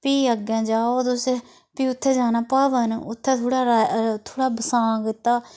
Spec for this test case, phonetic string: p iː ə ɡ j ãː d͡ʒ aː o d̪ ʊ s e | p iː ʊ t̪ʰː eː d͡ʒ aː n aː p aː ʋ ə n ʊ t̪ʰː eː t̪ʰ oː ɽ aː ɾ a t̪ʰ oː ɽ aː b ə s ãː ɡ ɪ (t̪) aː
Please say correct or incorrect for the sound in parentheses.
correct